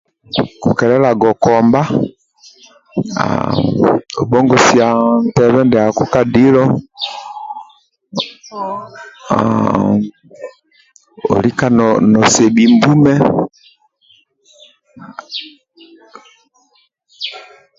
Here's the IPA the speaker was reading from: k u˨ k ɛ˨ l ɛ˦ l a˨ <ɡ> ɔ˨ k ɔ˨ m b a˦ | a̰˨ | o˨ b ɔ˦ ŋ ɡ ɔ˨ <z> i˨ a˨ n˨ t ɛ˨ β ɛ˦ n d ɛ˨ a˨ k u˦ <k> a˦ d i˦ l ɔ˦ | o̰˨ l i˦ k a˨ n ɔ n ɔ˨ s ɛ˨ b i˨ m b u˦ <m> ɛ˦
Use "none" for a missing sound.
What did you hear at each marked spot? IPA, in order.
ɡ, s, k, m

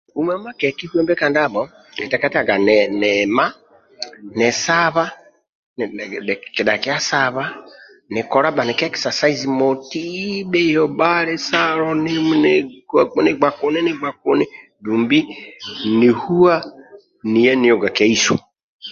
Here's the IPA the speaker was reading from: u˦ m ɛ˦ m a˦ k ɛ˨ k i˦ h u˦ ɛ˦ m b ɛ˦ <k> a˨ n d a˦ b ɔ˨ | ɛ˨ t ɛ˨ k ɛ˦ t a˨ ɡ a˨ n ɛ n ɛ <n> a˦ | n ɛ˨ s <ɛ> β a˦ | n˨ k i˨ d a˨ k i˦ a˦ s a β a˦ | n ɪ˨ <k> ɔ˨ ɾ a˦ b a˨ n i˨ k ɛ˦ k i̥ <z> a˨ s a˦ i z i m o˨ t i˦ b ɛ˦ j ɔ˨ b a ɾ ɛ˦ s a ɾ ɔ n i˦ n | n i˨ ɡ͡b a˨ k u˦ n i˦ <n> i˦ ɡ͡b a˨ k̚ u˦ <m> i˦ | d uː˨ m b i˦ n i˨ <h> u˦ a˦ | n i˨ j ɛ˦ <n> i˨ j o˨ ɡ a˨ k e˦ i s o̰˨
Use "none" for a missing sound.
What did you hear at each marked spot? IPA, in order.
k, m, a, k, s, n, n, h, n

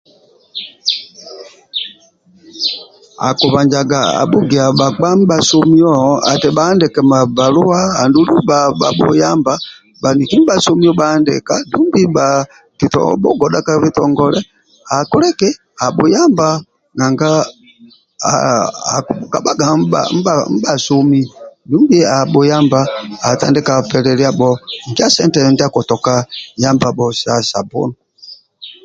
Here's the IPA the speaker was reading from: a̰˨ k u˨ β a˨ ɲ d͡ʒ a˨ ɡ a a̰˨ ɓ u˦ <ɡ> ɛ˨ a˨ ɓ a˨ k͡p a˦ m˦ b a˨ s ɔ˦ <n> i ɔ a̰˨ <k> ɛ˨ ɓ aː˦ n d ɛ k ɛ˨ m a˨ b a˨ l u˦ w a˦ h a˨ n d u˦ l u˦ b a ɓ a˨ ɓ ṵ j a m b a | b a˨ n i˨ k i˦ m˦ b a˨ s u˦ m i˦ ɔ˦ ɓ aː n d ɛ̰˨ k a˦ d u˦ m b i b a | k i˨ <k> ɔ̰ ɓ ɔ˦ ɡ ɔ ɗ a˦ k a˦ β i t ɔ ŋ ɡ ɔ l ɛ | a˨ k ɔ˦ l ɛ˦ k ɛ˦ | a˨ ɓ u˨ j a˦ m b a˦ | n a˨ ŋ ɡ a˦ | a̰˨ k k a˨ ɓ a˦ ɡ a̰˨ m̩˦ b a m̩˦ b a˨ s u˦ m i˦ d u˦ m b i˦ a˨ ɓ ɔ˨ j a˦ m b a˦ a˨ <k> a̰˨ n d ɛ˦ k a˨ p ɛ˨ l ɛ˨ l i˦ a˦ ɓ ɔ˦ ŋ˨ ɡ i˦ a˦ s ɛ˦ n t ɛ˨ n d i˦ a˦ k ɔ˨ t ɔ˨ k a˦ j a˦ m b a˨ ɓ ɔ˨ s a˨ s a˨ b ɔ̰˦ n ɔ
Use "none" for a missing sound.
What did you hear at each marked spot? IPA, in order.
ɡ, m, t, t, t

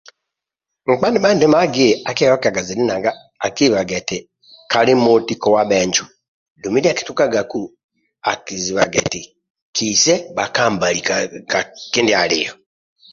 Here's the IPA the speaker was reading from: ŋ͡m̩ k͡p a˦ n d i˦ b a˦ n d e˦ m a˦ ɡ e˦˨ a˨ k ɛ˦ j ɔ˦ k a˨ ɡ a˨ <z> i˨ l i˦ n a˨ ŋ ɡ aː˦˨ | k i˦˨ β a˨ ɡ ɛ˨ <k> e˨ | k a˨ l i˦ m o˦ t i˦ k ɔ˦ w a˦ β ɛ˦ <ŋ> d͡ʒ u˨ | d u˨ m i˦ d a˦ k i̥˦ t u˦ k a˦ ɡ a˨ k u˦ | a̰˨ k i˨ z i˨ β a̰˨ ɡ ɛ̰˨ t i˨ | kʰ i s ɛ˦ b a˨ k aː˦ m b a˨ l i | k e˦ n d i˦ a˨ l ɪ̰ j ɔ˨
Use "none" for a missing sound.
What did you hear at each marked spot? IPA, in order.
z, t, ɲ

